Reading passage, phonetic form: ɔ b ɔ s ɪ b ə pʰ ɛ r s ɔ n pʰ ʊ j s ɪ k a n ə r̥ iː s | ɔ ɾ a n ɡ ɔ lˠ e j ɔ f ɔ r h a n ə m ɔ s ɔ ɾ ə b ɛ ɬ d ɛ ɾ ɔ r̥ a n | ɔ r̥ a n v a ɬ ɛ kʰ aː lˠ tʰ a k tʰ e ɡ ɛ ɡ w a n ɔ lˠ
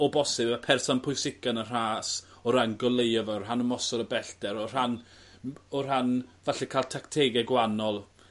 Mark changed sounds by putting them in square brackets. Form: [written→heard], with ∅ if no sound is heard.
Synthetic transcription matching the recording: ɔ b ɔ s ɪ b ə pʰ ɛ r s ɔ n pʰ ʊ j s ɪ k a n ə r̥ [iː→aː] s | ɔ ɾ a n ɡ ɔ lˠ e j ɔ [f→v] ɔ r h a n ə m ɔ s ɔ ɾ ə b ɛ ɬ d ɛ ɾ ɔ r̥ a n | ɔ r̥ a n v a ɬ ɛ kʰ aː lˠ tʰ a k tʰ e ɡ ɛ ɡ w a n ɔ lˠ